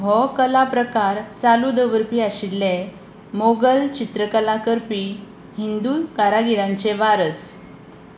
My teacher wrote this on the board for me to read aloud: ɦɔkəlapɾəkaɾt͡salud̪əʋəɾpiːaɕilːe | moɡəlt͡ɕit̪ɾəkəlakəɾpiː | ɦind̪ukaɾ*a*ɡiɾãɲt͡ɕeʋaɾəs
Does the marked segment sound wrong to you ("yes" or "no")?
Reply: no